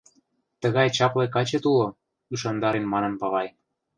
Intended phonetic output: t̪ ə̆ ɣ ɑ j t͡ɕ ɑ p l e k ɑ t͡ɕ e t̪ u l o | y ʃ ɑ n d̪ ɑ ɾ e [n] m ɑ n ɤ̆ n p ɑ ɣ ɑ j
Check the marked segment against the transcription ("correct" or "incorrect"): correct